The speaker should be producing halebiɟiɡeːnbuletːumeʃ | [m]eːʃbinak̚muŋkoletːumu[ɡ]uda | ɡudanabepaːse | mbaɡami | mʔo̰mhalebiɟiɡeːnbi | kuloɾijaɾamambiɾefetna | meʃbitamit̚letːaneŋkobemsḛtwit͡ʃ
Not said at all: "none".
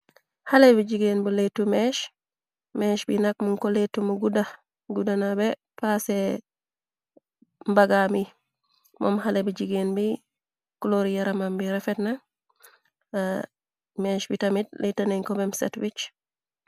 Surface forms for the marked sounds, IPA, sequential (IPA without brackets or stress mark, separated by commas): m, ɡ